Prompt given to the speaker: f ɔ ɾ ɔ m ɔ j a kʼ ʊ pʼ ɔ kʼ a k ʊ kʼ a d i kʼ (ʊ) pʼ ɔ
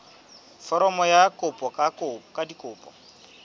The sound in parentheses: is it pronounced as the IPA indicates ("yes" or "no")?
no